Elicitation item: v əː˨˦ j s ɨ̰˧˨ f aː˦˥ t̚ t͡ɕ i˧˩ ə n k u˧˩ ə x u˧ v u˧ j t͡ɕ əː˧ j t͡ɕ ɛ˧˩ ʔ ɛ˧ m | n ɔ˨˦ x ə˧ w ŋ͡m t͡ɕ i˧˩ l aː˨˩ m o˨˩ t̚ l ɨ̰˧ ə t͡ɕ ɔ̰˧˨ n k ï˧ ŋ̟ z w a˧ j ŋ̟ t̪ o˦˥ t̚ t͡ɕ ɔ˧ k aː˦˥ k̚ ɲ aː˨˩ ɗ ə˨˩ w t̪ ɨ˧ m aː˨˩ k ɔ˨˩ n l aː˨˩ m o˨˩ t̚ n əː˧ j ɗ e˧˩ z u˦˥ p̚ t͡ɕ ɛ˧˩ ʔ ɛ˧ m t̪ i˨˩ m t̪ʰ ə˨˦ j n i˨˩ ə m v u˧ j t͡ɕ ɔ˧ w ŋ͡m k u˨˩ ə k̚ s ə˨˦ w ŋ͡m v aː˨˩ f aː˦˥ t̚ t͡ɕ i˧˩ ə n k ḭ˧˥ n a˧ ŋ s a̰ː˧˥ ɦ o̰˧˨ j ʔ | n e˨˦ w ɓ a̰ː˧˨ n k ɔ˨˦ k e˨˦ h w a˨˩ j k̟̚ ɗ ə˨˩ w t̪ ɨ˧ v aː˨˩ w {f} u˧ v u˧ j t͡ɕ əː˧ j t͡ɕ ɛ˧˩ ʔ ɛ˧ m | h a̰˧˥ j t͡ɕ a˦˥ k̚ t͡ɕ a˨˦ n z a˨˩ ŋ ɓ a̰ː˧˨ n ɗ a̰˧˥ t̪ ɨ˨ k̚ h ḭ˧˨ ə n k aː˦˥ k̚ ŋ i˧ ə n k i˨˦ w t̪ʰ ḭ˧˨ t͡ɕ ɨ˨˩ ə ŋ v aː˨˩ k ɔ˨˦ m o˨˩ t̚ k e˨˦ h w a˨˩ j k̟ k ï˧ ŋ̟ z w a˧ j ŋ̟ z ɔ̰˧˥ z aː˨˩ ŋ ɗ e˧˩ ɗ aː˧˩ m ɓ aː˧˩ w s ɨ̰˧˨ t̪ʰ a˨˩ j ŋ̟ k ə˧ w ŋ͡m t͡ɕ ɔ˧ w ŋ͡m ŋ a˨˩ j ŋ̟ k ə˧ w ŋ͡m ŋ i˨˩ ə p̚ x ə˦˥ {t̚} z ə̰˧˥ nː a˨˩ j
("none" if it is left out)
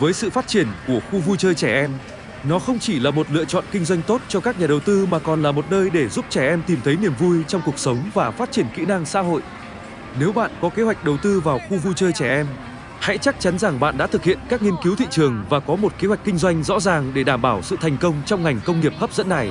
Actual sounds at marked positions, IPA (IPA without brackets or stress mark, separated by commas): x, p̚